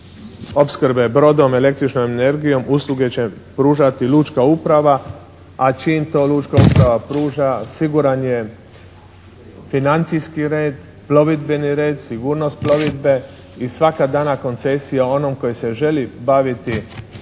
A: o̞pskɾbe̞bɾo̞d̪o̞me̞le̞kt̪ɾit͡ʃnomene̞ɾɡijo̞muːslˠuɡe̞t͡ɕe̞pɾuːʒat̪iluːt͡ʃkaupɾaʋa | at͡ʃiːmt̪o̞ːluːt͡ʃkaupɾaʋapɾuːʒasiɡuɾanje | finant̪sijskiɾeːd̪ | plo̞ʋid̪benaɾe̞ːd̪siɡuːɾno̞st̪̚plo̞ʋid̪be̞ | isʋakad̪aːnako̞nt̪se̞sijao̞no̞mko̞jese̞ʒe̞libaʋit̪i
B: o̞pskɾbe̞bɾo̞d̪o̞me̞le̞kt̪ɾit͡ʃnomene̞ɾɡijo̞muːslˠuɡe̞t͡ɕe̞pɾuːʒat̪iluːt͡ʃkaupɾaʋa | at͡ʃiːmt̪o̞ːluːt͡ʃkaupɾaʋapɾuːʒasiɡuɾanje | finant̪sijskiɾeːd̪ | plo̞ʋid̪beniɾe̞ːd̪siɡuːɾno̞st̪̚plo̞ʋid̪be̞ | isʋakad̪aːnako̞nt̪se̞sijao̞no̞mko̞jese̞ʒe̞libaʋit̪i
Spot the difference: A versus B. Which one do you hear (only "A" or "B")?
B